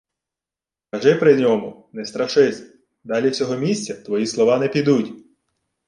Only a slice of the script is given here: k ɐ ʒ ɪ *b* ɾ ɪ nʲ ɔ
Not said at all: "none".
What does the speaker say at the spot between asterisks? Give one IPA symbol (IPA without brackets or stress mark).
p